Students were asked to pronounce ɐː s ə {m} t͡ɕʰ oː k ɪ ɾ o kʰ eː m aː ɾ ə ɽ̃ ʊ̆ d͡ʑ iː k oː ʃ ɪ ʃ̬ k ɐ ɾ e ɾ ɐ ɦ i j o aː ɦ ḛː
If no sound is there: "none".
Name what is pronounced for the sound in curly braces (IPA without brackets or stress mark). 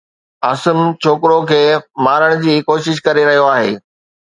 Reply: m